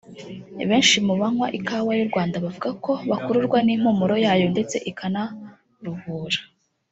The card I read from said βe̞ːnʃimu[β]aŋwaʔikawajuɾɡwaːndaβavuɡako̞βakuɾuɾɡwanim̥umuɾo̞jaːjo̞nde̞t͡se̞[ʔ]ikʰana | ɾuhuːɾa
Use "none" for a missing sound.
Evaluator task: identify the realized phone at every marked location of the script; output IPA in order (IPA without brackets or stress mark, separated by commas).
β, ʔ